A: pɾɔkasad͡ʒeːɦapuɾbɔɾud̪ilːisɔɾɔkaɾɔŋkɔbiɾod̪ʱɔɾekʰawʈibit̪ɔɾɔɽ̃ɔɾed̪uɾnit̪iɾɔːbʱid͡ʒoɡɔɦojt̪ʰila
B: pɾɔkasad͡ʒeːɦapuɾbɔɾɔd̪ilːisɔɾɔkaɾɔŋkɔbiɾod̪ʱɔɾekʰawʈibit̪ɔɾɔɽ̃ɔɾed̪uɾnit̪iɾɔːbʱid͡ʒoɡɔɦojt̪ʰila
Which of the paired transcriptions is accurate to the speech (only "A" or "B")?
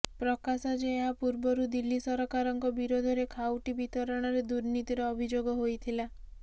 A